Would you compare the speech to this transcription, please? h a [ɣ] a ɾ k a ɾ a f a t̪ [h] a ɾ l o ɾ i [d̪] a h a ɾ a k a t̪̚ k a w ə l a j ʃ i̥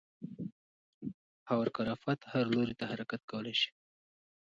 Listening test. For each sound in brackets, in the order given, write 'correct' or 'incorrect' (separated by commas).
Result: incorrect, correct, incorrect